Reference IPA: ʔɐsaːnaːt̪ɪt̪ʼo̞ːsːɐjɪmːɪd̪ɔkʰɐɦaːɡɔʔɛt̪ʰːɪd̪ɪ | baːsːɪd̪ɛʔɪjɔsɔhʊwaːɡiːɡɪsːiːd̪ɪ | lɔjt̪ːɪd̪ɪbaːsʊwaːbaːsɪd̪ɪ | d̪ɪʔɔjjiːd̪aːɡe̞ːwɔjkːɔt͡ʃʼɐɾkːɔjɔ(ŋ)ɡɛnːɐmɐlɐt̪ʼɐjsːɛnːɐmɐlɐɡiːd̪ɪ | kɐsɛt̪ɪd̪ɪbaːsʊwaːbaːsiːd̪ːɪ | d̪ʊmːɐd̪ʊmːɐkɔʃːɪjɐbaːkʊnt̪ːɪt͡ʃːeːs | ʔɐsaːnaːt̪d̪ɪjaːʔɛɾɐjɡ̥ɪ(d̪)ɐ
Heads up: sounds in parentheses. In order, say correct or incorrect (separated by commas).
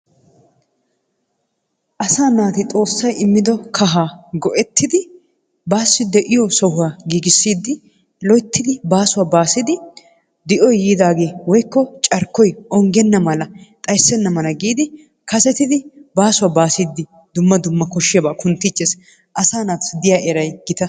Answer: correct, incorrect